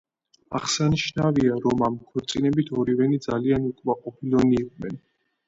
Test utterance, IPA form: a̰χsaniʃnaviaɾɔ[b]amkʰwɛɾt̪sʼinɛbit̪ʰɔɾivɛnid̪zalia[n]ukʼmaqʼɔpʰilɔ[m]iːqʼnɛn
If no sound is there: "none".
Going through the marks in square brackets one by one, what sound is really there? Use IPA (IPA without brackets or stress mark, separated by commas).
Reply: m, n, n